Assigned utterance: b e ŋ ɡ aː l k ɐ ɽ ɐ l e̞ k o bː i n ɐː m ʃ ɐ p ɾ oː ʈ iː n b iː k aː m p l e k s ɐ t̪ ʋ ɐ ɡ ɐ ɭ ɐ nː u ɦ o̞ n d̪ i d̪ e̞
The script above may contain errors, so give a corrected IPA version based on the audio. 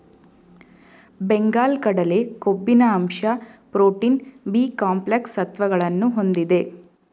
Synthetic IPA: b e ŋ ɡ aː l k ɐ ɽ ɐ l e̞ k o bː i n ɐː m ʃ ɐ p ɾ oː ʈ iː n b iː k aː m p l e k s ɐ t̪ ʋ ɐ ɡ ɐ ɭ ɐ nː u ɦ o̞ n d̪ i d̪ e̞